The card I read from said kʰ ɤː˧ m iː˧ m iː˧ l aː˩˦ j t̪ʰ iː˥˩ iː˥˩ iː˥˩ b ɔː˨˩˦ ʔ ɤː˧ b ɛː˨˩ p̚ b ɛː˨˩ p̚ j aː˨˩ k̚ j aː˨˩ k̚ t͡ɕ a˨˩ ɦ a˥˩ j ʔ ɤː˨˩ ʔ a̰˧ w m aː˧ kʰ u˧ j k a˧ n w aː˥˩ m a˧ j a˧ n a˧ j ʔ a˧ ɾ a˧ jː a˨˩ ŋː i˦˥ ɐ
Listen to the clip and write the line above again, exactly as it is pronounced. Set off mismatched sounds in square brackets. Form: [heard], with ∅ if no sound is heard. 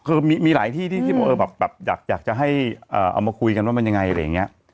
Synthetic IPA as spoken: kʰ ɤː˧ m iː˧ m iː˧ l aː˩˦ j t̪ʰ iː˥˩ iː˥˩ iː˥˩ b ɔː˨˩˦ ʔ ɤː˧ b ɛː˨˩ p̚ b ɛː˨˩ p̚ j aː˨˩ k̚ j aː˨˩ k̚ t͡ɕ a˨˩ ɦ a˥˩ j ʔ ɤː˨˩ ʔ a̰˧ w m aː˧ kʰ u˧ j k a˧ n w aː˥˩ m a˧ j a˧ [ŋ] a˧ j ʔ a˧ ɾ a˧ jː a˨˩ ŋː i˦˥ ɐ